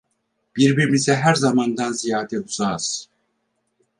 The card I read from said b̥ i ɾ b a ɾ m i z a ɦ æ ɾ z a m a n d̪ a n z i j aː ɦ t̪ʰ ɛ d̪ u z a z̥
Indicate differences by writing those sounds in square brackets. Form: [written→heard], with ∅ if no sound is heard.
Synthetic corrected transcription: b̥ i ɾ b [a→i] ɾ m i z [a→ɛ] ɦ æ ɾ z a m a n d̪ a n z i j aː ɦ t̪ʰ ɛ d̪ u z a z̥